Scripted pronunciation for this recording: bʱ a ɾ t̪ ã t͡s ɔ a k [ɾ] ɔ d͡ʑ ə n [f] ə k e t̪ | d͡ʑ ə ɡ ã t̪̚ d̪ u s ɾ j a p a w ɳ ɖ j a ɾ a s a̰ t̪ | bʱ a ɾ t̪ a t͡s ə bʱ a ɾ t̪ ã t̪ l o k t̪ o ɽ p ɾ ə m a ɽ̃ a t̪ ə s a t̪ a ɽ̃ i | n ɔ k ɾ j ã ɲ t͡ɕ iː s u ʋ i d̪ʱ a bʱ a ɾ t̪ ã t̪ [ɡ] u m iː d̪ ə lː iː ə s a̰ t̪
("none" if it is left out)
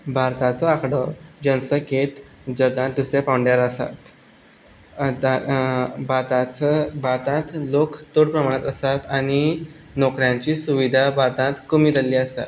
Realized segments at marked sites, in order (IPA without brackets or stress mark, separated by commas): ɽ, s, k